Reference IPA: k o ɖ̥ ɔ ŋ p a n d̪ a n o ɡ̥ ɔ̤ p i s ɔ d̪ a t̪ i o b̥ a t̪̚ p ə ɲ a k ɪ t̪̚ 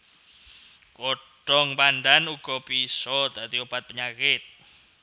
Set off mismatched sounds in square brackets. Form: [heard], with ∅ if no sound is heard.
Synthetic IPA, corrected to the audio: k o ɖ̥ ɔ ŋ p a n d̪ a n [u] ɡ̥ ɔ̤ p i s ɔ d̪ a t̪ i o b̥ a t̪̚ p ə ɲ a k ɪ t̪̚